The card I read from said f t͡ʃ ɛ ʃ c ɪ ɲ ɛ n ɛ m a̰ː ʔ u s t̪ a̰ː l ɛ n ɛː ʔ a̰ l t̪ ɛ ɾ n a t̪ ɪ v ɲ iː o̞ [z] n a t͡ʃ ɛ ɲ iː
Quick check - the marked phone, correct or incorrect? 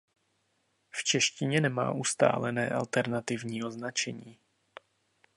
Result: correct